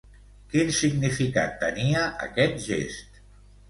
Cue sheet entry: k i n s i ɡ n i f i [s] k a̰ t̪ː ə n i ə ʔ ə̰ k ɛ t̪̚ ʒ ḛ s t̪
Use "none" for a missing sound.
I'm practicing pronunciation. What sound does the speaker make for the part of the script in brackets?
none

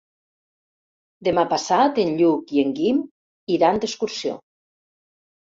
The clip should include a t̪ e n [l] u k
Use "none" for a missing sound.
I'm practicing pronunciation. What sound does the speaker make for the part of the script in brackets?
ʎ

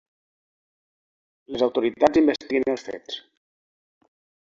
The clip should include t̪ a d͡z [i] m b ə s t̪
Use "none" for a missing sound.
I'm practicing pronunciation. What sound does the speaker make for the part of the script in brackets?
i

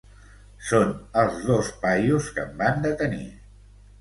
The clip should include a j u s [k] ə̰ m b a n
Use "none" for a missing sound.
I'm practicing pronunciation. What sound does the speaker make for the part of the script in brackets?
k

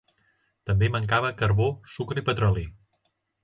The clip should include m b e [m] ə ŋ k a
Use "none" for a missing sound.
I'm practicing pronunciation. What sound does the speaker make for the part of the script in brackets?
m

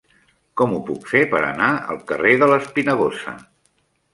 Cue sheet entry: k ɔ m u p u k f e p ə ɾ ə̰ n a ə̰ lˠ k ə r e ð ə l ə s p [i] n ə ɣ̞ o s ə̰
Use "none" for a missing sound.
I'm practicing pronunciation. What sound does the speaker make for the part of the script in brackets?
i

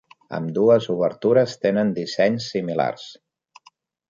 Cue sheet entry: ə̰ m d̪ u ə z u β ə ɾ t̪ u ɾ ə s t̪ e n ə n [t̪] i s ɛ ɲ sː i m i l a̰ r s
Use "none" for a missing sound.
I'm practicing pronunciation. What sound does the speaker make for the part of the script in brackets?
d̪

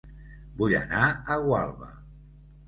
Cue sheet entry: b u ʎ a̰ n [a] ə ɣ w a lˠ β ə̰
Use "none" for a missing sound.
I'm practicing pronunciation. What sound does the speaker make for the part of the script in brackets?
a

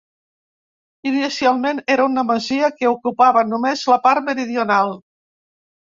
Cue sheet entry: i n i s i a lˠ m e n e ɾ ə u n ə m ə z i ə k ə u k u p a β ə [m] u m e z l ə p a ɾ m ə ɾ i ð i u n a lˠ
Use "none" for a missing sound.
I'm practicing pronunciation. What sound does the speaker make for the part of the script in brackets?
n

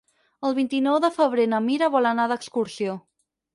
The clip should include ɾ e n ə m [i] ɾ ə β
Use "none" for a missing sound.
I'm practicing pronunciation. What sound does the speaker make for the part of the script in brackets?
i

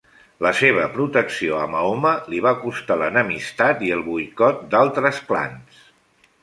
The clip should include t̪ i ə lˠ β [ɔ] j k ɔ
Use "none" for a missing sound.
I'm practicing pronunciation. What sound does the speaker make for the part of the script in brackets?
u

